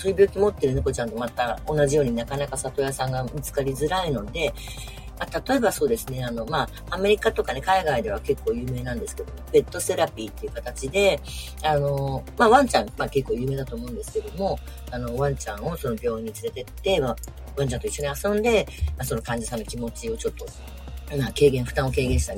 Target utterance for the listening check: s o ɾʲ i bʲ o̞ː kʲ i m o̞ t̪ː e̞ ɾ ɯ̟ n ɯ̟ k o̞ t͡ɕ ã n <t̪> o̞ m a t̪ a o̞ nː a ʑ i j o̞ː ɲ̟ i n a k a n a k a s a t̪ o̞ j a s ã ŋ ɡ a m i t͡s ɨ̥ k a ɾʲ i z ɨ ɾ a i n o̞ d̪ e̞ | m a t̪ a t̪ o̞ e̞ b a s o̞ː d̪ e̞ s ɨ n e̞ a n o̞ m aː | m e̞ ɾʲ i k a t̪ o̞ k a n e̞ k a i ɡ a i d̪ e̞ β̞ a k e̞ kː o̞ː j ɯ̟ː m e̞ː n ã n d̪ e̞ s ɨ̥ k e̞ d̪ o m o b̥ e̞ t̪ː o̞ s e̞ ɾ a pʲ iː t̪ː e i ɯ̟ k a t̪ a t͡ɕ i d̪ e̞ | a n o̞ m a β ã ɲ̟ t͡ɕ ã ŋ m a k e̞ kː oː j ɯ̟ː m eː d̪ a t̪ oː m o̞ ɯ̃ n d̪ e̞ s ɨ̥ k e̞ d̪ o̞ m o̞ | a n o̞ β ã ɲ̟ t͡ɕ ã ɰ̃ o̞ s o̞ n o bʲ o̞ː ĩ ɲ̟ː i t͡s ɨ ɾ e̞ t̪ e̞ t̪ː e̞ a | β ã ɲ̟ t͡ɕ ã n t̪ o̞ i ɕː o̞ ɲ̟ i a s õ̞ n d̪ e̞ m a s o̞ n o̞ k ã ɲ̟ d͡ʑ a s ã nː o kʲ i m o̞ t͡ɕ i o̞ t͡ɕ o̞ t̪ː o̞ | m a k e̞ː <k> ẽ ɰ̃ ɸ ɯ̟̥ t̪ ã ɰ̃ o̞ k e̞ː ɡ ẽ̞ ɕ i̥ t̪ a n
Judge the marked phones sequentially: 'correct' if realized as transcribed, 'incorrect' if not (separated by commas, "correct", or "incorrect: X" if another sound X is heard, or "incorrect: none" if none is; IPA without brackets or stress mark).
correct, incorrect: ɡ